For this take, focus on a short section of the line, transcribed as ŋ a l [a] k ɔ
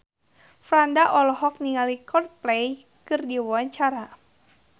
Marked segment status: incorrect: i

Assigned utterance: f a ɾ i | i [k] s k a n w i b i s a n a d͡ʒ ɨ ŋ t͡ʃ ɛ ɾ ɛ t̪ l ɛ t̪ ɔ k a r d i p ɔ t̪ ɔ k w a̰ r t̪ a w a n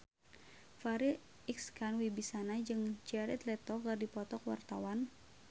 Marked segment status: correct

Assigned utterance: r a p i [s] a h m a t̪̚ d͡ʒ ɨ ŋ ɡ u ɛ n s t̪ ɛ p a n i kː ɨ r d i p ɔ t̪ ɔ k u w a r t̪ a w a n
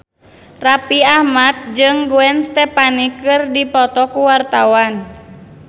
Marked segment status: incorrect: none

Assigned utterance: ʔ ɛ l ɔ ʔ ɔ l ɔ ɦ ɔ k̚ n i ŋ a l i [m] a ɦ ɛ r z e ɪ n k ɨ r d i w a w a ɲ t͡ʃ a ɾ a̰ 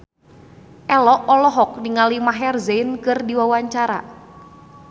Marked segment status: correct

